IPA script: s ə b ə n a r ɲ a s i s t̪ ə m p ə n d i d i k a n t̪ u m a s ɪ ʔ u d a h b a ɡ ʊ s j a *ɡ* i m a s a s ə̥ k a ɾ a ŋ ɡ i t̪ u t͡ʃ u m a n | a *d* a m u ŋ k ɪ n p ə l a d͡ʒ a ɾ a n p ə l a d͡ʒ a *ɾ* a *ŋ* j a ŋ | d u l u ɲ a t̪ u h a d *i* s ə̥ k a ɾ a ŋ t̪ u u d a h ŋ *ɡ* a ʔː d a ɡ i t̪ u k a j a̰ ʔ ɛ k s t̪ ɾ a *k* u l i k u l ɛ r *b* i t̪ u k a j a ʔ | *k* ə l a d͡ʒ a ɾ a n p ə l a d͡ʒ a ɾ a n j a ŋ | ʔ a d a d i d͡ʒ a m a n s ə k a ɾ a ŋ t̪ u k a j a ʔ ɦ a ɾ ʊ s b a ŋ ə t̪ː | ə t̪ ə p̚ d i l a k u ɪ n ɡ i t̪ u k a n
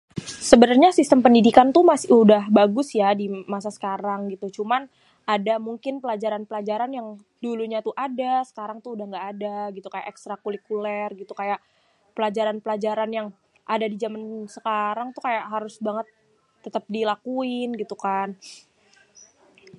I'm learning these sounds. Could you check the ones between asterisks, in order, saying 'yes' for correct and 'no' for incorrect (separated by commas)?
no, yes, yes, no, no, yes, yes, no, no